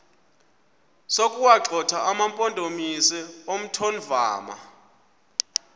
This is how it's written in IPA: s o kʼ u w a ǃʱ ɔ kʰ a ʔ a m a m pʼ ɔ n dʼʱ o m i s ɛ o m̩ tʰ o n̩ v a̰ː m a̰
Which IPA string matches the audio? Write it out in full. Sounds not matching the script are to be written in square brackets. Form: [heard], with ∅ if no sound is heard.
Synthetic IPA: s o kʼ u w a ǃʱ ɔ [tʰ] a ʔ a m a m pʼ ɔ n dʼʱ o m i s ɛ o m̩ tʰ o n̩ v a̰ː m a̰